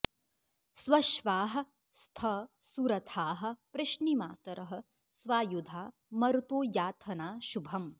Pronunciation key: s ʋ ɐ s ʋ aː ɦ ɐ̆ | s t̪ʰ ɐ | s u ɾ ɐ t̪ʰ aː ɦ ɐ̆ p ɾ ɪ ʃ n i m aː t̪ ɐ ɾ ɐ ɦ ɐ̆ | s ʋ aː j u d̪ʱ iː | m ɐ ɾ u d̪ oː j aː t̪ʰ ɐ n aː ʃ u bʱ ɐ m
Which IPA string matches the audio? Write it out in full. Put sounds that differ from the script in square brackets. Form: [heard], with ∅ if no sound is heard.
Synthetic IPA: s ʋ ɐ [ʃ] ʋ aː ɦ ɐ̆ | s t̪ʰ ɐ | s u ɾ ɐ t̪ʰ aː ɦ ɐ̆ p ɾ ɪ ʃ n i m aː t̪ ɐ ɾ ɐ ɦ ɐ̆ | s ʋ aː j u d̪ʱ [aː] | m ɐ ɾ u [t̪] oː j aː t̪ʰ ɐ n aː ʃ u bʱ ɐ m